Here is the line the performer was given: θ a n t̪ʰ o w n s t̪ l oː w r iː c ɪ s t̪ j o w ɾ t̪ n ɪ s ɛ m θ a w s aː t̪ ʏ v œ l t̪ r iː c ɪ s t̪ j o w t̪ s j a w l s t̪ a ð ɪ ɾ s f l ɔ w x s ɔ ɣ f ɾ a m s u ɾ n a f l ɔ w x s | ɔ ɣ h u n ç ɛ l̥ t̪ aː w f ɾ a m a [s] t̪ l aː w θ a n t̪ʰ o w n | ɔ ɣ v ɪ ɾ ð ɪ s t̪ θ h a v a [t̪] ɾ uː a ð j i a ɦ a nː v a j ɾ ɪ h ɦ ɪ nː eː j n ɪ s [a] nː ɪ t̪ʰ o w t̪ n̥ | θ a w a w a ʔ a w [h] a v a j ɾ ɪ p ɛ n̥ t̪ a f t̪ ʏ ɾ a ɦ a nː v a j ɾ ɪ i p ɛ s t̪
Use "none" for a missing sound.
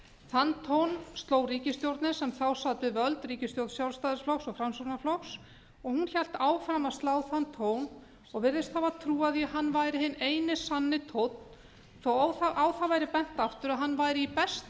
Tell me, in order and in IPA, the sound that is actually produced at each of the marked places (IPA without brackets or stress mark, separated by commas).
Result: s, t̪ʰ, a, θ